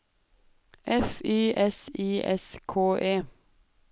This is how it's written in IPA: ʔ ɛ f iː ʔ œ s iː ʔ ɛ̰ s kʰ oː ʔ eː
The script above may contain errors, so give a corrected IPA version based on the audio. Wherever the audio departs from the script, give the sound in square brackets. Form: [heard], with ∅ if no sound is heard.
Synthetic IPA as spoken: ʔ ɛ f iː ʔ [ɛ] s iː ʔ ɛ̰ s kʰ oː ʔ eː